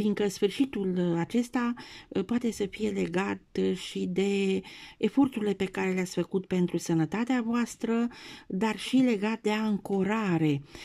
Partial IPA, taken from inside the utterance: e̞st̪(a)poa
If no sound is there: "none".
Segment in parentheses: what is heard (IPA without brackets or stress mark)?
a